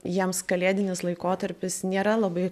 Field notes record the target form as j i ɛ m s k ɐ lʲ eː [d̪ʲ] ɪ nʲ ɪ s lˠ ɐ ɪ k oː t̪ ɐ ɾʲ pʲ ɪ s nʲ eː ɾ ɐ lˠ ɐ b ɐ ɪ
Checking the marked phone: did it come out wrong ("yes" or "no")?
no